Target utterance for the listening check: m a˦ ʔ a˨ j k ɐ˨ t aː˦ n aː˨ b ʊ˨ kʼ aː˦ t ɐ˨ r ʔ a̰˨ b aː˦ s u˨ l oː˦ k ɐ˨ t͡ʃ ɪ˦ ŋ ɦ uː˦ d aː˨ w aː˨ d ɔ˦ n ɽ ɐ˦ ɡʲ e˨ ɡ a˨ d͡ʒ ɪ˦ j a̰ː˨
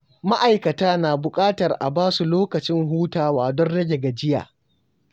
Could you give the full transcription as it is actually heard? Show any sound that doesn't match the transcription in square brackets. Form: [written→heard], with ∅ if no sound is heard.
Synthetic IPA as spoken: m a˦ ʔ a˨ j k ɐ˨ t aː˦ n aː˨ b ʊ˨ kʼ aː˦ t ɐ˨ r ʔ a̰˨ b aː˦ s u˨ l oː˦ k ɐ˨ t͡ʃ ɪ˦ ŋ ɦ uː˦ [d→t] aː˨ w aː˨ d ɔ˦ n ɽ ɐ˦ ɡʲ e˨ ɡ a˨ d͡ʒ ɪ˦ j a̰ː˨